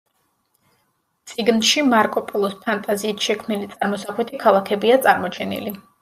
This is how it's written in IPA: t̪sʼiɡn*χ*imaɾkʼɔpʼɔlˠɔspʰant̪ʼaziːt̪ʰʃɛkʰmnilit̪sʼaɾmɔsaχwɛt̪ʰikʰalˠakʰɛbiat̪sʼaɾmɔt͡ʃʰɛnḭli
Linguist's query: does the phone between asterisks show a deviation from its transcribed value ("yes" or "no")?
yes